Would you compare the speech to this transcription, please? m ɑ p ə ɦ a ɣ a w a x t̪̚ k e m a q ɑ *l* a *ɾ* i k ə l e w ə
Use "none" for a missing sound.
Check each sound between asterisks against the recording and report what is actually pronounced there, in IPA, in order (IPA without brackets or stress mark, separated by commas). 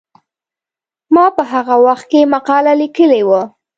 l, l